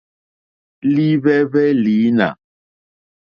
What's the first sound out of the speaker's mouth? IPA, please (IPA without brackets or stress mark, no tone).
l